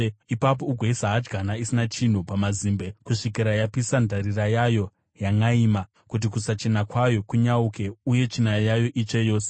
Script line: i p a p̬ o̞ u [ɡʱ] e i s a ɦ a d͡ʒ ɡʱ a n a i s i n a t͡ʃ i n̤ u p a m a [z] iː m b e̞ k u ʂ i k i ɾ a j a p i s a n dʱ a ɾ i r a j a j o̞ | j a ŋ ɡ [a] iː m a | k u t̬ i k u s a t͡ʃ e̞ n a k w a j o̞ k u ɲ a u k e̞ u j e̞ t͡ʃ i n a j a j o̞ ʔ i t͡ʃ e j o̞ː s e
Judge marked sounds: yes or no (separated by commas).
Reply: yes, yes, yes